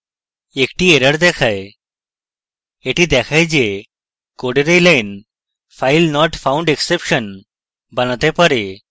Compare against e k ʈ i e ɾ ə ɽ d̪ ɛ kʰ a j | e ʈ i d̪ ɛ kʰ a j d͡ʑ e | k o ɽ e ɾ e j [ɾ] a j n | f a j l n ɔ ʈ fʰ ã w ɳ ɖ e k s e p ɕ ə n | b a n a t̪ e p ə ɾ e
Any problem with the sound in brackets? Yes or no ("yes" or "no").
yes